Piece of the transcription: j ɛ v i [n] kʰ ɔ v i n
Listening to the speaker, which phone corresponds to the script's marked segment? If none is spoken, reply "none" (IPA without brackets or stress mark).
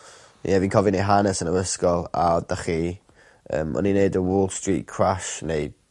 n